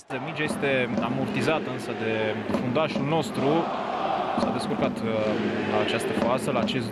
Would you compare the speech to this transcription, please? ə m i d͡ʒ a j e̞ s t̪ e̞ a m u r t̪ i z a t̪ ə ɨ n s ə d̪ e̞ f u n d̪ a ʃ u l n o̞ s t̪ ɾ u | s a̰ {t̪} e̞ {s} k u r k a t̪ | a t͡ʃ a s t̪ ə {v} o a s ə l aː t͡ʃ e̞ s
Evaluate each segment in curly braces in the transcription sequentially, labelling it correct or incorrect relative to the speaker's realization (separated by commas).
incorrect, correct, incorrect